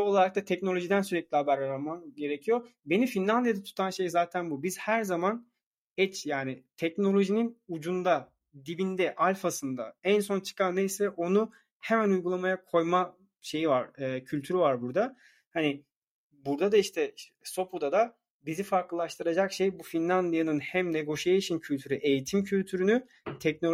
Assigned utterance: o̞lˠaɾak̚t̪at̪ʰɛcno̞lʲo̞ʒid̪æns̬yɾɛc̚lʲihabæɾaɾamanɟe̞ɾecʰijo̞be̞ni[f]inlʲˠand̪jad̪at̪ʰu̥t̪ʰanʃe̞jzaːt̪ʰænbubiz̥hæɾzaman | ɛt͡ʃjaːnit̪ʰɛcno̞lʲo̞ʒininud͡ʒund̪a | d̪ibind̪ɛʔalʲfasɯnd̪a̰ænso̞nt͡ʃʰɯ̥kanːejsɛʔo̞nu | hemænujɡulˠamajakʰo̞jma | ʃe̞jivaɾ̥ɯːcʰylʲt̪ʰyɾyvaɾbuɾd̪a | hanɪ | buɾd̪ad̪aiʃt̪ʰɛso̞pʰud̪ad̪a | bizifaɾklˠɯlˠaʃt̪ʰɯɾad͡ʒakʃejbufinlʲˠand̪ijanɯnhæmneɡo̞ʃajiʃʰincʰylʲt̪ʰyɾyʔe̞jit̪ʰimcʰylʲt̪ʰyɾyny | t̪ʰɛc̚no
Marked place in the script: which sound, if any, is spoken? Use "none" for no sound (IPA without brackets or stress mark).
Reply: f